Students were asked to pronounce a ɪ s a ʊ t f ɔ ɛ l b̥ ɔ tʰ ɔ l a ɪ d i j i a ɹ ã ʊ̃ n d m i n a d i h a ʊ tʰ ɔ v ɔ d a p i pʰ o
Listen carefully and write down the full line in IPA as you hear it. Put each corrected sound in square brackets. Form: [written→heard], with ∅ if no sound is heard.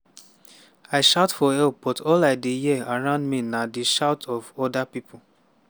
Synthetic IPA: a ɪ [s→ʃ] a ʊ t f ɔ ɛ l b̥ ɔ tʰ ɔ l a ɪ d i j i a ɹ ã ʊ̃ n d m i n a d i [h→ʃ] a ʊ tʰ ɔ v ɔ d a p i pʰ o